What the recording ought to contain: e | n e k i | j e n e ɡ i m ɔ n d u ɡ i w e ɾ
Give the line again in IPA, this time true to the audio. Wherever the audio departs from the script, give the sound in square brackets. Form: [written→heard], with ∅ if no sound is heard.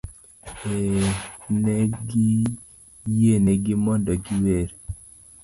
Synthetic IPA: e | n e [k→ɡ] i | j e n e ɡ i m ɔ n d [u→ɔ] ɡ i w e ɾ